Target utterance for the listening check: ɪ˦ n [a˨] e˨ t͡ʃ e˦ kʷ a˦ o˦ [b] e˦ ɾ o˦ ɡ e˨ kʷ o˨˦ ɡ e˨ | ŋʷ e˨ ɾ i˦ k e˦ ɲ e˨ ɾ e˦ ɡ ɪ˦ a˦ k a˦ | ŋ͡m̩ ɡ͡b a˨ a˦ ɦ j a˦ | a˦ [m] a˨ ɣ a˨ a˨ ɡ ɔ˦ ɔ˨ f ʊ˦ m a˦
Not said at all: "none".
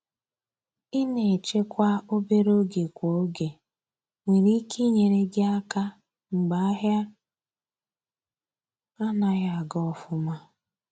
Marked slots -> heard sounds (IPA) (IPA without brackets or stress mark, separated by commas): e˨, b, n